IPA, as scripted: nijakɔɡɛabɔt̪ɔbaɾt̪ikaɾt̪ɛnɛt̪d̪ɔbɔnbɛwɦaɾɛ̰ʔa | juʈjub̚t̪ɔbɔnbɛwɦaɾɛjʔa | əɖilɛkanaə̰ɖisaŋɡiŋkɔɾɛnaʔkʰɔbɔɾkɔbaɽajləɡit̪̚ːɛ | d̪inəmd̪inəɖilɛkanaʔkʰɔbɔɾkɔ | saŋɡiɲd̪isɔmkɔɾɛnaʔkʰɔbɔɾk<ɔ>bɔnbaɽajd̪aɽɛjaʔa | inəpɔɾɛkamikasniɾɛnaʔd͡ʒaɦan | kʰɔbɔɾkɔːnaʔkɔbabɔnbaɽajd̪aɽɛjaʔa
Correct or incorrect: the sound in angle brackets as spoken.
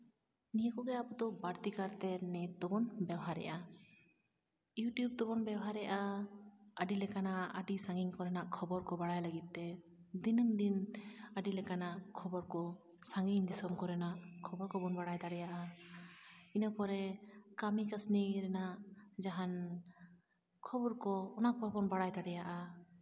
correct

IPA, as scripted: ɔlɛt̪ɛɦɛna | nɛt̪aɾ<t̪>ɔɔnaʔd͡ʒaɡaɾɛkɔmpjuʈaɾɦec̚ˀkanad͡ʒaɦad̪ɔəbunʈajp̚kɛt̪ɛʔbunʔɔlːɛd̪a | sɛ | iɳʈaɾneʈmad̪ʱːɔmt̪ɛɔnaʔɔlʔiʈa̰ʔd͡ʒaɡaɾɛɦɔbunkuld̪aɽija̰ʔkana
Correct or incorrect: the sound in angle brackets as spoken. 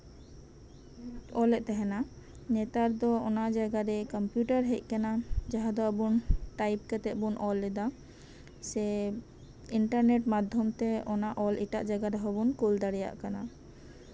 incorrect: d̪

